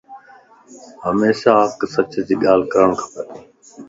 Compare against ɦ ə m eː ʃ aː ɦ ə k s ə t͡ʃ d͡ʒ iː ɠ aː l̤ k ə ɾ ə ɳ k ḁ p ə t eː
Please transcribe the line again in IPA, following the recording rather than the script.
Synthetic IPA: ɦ ə m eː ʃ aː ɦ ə k s ə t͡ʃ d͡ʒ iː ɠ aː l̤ k ə ɾ ə ɳ kʰ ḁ p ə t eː

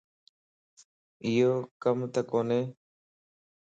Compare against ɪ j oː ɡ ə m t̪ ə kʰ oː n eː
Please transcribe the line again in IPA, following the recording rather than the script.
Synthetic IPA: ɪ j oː k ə m t̪ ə k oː n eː

